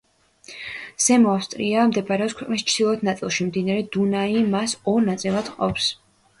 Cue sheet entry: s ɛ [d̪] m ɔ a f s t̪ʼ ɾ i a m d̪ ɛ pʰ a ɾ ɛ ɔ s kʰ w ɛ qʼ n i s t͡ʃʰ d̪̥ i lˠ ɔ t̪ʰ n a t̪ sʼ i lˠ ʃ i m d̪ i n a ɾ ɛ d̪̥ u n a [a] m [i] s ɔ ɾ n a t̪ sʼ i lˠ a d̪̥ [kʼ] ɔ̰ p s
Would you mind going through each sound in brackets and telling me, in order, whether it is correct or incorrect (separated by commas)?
incorrect, incorrect, incorrect, incorrect